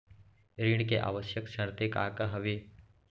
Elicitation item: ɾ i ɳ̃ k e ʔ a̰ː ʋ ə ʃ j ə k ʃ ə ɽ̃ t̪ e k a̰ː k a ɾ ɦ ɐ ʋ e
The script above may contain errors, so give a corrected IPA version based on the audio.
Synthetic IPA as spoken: ɾ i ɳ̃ k e ʔ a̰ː ʋ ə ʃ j ə k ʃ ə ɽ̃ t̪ e k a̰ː k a ɦ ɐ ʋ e